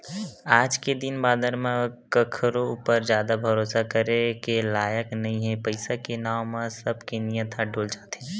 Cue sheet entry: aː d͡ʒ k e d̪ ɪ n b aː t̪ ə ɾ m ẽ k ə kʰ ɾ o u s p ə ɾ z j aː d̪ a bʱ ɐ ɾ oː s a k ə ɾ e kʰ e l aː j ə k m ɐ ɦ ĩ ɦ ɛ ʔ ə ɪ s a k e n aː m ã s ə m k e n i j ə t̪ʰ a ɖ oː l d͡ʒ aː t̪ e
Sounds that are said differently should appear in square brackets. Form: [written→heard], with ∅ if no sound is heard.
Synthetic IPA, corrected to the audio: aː d͡ʒ k e d̪ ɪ n b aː [t̪→d̪] ə ɾ m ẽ k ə kʰ ɾ o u [s→∅] p ə ɾ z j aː d̪ a bʱ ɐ ɾ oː s a k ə ɾ e [kʰ→k] e l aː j ə k [m→n] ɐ ɦ ĩ ɦ ɛ [ʔ→p] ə ɪ s a k e n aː m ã s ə [m→b] k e n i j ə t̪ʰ a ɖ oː l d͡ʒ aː t̪ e